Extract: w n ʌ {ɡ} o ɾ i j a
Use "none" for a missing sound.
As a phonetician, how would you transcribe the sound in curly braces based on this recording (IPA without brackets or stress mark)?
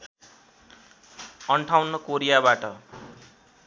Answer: k